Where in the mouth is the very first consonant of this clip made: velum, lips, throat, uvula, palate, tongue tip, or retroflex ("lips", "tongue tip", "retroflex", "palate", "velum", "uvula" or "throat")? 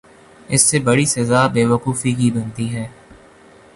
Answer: tongue tip